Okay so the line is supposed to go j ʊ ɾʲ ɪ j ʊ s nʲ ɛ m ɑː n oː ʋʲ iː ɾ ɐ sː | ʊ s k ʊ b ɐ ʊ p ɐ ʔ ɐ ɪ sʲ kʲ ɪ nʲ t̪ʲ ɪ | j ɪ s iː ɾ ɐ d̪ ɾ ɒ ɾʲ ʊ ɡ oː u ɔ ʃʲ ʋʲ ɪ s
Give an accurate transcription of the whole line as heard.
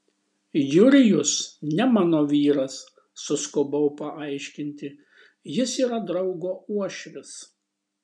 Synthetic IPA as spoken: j ʊ ɾʲ ɪ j ʊ s nʲ ɛ m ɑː n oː ʋʲ iː ɾ ɐ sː | ʊ s k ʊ b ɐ ʊ p ɐ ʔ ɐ ɪ ʃʲ kʲ ɪ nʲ t̪ʲ ɪ | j ɪ s iː ɾ ɐ d̪ ɾ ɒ ʊ ɡ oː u ɔ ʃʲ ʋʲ ɪ s